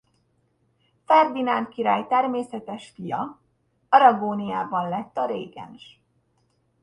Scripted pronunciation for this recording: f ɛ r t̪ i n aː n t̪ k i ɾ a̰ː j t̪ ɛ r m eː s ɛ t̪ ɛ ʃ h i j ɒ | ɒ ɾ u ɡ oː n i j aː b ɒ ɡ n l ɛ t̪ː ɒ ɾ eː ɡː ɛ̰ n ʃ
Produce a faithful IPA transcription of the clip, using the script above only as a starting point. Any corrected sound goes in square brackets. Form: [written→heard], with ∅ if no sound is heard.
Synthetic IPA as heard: f ɛ r [t̪→d̪] i n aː n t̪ k i ɾ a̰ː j t̪ ɛ r m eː s ɛ t̪ ɛ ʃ [h→f] i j ɒ | ɒ ɾ [u→ɒ] ɡ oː n i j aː b ɒ [ɡ→∅] n l ɛ t̪ː ɒ ɾ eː [ɡː→ɡ] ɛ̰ n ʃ